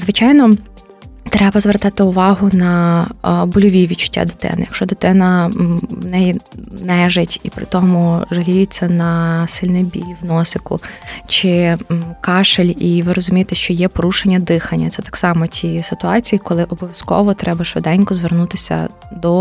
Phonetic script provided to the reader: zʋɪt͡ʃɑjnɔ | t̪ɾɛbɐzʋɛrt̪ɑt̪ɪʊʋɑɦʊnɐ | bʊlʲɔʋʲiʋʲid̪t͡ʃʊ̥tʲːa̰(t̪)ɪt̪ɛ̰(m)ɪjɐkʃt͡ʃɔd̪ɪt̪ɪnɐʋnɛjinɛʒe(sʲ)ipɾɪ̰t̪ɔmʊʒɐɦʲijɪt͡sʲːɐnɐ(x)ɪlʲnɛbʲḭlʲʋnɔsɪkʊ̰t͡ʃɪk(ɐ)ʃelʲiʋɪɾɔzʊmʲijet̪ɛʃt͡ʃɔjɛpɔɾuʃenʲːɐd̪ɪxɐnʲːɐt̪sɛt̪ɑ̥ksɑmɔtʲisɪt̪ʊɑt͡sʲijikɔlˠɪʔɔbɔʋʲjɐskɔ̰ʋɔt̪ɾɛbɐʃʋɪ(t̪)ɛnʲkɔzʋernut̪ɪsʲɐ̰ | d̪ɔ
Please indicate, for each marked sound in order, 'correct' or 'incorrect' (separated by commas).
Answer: incorrect, incorrect, incorrect, incorrect, incorrect, incorrect